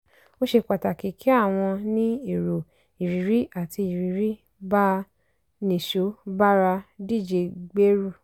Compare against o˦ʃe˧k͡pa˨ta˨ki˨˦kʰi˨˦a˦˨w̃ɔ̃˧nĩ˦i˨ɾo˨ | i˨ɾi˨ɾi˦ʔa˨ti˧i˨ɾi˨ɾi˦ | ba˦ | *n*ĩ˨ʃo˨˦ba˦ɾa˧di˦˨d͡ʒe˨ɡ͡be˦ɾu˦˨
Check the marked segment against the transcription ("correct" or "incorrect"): correct